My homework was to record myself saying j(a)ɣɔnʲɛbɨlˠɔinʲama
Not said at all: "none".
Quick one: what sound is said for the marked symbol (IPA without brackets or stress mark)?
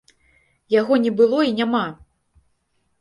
a